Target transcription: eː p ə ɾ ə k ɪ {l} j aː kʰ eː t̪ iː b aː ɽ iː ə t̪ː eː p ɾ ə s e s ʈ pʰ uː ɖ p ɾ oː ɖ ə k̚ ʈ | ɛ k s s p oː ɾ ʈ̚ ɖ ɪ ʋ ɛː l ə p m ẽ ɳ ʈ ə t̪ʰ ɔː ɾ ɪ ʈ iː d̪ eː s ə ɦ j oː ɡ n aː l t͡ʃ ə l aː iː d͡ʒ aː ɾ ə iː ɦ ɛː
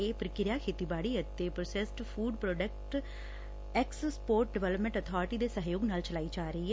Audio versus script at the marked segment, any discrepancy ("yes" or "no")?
yes